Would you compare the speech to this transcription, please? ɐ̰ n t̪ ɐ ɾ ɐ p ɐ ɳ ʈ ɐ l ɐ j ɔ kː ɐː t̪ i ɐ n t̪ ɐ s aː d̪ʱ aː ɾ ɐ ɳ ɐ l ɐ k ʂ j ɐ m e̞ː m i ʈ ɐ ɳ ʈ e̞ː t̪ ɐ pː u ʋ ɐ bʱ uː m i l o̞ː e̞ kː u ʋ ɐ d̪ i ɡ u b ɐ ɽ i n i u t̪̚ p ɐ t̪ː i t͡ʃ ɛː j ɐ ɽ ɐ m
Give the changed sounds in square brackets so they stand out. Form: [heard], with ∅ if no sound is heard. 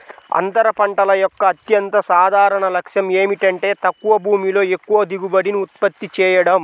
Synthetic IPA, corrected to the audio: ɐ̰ n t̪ ɐ ɾ ɐ p ɐ ɳ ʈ ɐ l ɐ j ɔ kː ɐː t̪ [j] ɐ n t̪ ɐ s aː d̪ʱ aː ɾ ɐ ɳ ɐ l ɐ k ʂ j ɐ m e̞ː m i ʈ ɐ ɳ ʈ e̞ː t̪ ɐ [kː] u ʋ ɐ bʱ uː m i l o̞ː e̞ kː u ʋ ɐ d̪ i ɡ u b ɐ ɽ i n i u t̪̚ p ɐ t̪ː i t͡ʃ ɛː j ɐ ɽ ɐ m